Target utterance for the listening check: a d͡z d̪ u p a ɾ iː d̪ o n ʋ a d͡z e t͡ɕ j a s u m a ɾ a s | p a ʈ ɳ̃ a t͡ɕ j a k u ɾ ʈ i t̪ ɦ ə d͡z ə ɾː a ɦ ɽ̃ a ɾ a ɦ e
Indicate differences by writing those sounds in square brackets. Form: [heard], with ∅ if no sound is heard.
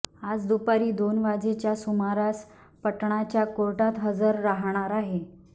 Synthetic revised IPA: a d͡z d̪ u p a ɾ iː d̪ o n ʋ a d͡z e t͡ɕ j a s u m a ɾ a s | p [ə] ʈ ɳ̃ a t͡ɕ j a k [o] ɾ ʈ [a] t̪ ɦ ə d͡z ə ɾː a ɦ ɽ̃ a ɾ a ɦ e

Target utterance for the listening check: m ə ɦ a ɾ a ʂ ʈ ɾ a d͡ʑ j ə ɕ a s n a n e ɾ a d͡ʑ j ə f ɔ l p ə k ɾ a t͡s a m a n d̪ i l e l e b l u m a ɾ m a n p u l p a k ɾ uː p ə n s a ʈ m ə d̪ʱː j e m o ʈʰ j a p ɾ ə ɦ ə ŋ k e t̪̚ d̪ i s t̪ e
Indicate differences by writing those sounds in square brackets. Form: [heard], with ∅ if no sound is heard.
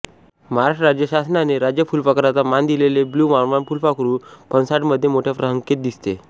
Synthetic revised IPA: m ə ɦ a ɾ a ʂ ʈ ɾ a d͡ʑ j ə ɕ a s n a n e ɾ a d͡ʑ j ə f [u] l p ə k ɾ a t͡s a m a n d̪ i l e l e b l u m a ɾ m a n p u l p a k ɾ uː p ə n s a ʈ m ə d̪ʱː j e m o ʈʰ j a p ɾ ə ɦ ə ŋ k e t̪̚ d̪ i s t̪ e

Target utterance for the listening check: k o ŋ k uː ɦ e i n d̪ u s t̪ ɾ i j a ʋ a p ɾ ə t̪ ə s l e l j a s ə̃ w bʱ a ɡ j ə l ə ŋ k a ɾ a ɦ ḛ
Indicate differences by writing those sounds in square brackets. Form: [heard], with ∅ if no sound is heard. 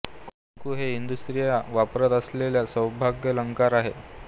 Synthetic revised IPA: k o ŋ k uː ɦ e i n d̪ u s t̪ ɾ i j a ʋ a p ɾ ə t̪ ə s l e l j a s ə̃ w bʱ a ɡ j ə l ə ŋ k a ɾ a ɦ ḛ

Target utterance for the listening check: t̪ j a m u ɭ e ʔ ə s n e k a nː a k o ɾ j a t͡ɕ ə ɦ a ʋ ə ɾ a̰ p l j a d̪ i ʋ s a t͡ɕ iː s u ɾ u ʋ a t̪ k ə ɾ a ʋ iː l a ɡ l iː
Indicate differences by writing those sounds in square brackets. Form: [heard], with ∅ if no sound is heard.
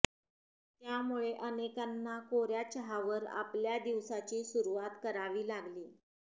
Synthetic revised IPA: t̪ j a m u ɭ e ʔ ə [∅] n e k a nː a k o ɾ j a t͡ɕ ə ɦ a ʋ ə ɾ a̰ p l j a d̪ i ʋ s a t͡ɕ iː s u ɾ u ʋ a t̪ k ə ɾ a ʋ iː l a ɡ l iː

